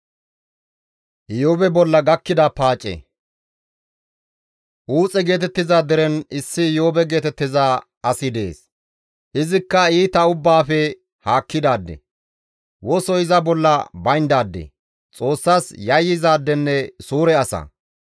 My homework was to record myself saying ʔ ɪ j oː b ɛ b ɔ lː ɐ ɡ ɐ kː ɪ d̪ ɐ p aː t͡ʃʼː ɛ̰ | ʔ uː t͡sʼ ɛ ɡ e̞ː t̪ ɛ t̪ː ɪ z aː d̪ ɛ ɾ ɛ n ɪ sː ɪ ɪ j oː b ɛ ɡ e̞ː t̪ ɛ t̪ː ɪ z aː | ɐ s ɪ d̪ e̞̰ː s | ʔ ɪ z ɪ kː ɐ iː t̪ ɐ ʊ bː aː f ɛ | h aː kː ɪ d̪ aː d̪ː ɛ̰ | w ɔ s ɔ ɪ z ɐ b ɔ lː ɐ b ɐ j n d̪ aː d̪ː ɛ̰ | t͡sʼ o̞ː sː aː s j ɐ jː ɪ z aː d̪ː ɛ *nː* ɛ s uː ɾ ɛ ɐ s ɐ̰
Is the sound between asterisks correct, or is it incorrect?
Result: correct